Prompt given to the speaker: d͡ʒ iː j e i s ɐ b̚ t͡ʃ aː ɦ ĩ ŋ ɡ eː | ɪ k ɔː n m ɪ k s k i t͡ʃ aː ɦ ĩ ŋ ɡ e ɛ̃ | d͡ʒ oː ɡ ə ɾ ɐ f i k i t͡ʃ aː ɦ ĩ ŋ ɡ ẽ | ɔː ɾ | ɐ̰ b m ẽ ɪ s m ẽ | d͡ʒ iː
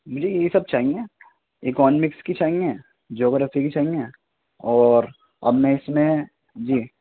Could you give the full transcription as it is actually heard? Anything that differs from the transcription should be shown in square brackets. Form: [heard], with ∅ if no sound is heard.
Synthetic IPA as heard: d͡ʒ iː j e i s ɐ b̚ t͡ʃ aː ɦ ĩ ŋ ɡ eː | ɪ k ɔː n m ɪ k s k i t͡ʃ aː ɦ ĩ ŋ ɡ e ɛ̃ | d͡ʒ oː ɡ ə ɾ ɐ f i k i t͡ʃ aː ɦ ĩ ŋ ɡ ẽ | ɔː ɾ | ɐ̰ b m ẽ ɪ s m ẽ | d͡ʒ iː

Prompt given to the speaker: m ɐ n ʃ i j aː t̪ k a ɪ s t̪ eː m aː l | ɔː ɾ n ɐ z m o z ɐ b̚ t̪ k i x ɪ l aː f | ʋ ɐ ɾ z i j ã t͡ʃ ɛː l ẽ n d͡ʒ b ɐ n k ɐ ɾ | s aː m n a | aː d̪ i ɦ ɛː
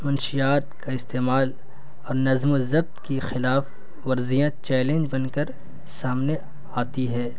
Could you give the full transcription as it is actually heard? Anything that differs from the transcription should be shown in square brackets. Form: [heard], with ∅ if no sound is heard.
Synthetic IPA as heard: m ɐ n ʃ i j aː t̪ k a ɪ s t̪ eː m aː l | ɔː ɾ n ɐ z m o z ɐ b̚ t̪ k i x ɪ l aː f | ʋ ɐ ɾ z i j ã t͡ʃ ɛː l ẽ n d͡ʒ b ɐ n k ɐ ɾ | s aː m n [e] | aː [t̪] i ɦ ɛː

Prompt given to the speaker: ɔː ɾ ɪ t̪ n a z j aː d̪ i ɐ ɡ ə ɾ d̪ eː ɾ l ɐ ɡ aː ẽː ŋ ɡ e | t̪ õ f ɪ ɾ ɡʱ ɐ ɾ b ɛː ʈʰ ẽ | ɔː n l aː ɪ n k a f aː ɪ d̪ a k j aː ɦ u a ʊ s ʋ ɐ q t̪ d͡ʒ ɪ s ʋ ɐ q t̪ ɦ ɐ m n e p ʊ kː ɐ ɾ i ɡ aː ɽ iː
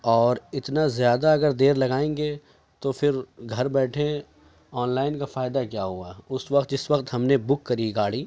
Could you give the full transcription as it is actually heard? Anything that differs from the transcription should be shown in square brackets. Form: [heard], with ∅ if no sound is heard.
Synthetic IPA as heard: ɔː ɾ ɪ t̪ n a z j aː d̪ [a] ɐ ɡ ə ɾ d̪ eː ɾ l ɐ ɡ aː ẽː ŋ ɡ e | t̪ [o] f ɪ ɾ ɡʱ ɐ ɾ b ɛː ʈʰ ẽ | ɔː n l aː ɪ n k a f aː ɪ d̪ a k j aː ɦ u a ʊ s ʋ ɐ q t̪ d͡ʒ ɪ s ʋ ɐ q t̪ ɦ ɐ m n e [b] ʊ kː ɐ ɾ i ɡ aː ɽ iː

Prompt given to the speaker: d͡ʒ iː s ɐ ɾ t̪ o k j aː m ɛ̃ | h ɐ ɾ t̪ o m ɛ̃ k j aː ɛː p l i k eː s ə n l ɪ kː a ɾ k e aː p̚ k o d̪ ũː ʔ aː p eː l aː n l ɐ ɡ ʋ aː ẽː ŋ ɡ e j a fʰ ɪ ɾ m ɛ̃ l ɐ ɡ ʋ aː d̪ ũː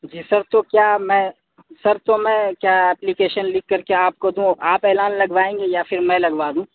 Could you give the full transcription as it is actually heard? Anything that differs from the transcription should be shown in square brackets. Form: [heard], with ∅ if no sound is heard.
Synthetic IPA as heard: d͡ʒ iː s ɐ ɾ t̪ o k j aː m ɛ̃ | [s] ɐ ɾ t̪ o m ɛ̃ k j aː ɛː p l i k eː [ʃ] ə n l ɪ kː [ɐ] ɾ k e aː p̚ k o d̪ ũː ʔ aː p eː l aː n l ɐ ɡ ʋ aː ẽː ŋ ɡ e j a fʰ ɪ ɾ m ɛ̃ l ɐ ɡ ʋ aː d̪ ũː

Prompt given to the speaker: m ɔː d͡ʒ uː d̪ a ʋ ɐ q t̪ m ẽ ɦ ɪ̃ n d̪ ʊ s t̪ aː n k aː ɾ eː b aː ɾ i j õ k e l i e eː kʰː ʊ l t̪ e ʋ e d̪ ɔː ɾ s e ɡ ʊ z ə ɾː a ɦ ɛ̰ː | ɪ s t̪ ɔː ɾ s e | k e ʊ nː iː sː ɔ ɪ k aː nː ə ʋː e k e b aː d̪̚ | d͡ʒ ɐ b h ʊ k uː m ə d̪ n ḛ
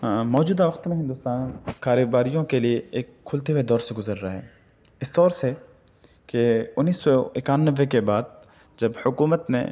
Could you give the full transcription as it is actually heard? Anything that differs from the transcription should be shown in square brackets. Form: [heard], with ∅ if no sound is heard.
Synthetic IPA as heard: m ɔː d͡ʒ uː d̪ a ʋ ɐ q t̪ m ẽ ɦ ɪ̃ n d̪ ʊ s t̪ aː n k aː ɾ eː b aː ɾ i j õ k e l i e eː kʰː ʊ l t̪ e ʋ e d̪ ɔː ɾ s e ɡ ʊ z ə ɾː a ɦ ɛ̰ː | ɪ s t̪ ɔː ɾ s e | k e ʊ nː iː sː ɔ ɪ k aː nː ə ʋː e k e b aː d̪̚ | d͡ʒ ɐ b h ʊ k uː m ə [t̪] n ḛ

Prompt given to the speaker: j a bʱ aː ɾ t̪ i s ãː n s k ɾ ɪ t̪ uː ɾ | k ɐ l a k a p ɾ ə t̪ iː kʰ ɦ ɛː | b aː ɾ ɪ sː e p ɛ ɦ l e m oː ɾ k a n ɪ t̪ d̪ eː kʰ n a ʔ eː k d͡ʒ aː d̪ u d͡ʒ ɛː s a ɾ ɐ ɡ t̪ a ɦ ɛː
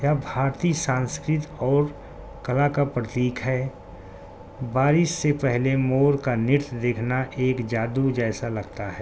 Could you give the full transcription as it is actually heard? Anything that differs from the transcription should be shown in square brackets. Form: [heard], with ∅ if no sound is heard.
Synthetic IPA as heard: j a bʱ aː ɾ t̪ i s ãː n s k ɾ ɪ t̪ [ɔː] ɾ | k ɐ l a k a p ɾ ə t̪ iː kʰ ɦ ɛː | b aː ɾ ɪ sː e p ɛ ɦ l e m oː ɾ k a n ɪ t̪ d̪ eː kʰ n a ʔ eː k d͡ʒ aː d̪ u d͡ʒ ɛː s a [l] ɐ ɡ t̪ a ɦ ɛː

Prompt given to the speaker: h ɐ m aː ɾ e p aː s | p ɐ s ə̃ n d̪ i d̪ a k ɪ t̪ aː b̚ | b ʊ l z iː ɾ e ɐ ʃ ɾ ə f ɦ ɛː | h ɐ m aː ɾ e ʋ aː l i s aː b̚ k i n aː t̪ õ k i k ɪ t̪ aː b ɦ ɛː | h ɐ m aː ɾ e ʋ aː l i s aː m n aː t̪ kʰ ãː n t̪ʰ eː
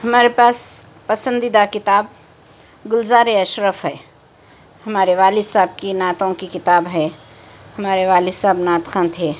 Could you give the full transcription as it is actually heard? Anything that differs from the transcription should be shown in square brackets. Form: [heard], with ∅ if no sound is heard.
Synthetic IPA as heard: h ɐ m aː ɾ e p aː s | p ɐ s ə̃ n d̪ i d̪ a k ɪ t̪ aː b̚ | [ɡ] ʊ l z [aː] ɾ e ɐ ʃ ɾ ə f ɦ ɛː | h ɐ m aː ɾ e ʋ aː l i s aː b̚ k i n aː t̪ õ k i k ɪ t̪ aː b ɦ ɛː | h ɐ m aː ɾ e ʋ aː l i s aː [b] n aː t̪ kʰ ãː n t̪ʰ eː

